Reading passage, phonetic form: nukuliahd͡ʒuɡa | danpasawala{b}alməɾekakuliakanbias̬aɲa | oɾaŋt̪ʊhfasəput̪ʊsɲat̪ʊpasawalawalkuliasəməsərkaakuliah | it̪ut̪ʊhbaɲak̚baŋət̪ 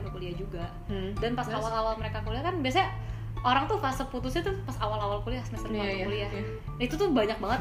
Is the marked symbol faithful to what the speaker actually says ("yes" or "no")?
no